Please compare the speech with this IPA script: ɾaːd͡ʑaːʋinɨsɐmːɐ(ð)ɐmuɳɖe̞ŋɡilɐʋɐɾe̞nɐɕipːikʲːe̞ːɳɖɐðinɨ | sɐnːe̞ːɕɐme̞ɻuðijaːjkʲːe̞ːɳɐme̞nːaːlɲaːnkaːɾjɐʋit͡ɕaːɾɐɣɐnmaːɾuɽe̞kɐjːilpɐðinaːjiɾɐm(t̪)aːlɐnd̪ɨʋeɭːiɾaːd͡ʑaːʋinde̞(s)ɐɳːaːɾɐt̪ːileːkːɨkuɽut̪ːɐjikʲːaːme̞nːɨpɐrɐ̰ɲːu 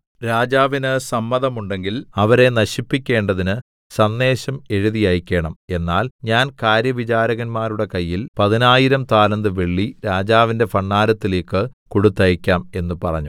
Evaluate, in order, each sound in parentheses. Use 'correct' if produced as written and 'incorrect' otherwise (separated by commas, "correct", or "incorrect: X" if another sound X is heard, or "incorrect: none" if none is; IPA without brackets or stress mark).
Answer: correct, correct, incorrect: f